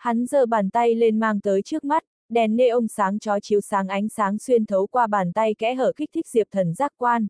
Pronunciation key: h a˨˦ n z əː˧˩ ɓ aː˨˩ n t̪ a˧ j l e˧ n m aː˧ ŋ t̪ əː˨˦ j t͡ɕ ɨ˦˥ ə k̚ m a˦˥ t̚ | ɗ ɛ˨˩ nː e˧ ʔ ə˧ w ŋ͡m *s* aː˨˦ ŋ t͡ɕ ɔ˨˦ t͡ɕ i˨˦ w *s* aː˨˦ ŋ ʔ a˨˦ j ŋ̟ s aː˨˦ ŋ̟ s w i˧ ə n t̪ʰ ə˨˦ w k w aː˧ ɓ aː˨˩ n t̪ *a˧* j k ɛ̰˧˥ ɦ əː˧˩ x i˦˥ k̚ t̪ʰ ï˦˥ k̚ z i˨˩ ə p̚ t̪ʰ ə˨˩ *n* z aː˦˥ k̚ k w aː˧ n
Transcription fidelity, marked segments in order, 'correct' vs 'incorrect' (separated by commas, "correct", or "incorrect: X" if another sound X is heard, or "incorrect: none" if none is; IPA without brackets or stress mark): correct, correct, correct, correct